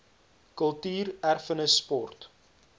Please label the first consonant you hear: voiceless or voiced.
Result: voiceless